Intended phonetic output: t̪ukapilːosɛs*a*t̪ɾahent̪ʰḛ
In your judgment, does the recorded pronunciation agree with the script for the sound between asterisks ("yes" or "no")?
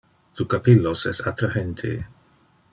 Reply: yes